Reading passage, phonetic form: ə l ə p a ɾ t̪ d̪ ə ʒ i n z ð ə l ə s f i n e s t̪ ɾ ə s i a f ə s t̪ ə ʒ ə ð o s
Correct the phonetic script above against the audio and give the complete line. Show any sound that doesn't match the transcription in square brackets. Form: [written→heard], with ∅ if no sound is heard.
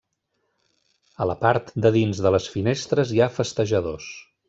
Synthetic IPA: ə l ə p a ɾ t̪ d̪ ə [ʒ→ð] i n z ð ə l ə s f i n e s t̪ ɾ ə [s→z] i a f ə s t̪ ə ʒ ə ð o s